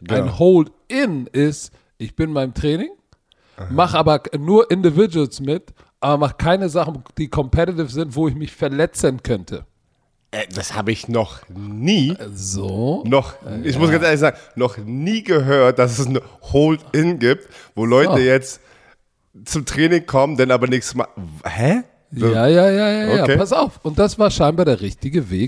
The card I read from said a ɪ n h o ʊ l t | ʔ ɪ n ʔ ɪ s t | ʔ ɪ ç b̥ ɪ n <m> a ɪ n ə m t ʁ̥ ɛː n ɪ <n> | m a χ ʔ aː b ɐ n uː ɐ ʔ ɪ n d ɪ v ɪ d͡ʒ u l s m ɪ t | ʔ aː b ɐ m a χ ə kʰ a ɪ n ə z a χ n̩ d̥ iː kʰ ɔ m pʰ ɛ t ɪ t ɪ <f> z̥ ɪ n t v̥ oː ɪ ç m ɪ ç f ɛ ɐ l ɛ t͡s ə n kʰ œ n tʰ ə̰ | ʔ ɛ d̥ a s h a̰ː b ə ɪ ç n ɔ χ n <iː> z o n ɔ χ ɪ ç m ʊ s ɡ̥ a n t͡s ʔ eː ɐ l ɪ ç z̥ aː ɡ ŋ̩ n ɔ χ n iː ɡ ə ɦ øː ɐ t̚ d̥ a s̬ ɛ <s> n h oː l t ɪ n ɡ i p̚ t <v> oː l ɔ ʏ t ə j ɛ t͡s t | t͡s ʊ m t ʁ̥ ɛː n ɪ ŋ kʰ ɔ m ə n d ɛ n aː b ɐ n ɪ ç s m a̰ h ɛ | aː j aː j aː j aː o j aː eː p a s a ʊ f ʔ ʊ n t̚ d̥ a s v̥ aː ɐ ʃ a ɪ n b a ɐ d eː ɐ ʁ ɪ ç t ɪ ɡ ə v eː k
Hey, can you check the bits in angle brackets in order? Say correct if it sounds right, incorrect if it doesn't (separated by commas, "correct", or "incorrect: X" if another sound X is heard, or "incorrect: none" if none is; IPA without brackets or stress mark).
correct, incorrect: ŋ, correct, correct, correct, correct